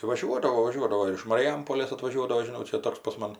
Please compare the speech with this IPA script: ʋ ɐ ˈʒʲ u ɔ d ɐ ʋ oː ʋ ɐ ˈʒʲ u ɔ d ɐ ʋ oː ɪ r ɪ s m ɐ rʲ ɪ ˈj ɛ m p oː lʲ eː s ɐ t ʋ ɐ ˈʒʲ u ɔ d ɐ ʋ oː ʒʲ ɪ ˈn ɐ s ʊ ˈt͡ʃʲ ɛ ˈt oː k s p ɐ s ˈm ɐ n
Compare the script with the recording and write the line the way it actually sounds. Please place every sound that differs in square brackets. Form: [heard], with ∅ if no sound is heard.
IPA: ʋ ɐ ˈʒʲ u ɔ d ɐ ʋ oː ʋ ɐ ˈʒʲ u ɔ d ɐ ʋ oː ɪ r ɪ [ʃ] m ɐ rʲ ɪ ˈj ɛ m p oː lʲ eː s ɐ t ʋ ɐ ˈʒʲ u ɔ d ɐ ʋ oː ʒʲ ɪ ˈn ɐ [∅] ʊ ˈt͡ʃʲ ɛ ˈt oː k s p ɐ s ˈm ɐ n